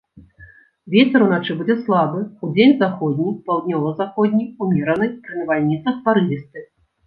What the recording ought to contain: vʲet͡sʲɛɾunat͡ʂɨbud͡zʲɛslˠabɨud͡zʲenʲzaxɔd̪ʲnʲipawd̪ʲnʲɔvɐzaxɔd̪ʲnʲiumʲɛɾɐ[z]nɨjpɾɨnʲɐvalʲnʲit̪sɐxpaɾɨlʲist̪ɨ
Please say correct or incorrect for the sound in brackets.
incorrect